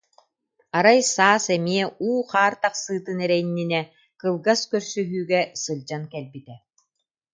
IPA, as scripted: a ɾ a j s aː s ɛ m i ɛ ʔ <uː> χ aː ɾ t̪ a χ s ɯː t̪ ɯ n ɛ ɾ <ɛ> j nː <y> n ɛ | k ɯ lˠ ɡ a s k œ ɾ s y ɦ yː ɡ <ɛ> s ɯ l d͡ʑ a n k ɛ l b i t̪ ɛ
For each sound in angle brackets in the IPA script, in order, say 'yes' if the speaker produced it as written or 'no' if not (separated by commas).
yes, yes, no, yes